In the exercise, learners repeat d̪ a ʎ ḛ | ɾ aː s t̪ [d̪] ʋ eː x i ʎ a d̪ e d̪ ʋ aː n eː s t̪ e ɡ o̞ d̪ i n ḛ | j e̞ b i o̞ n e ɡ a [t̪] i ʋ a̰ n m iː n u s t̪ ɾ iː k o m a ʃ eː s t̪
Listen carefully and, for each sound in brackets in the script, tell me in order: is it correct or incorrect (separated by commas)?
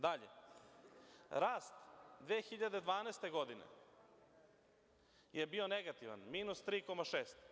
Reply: correct, correct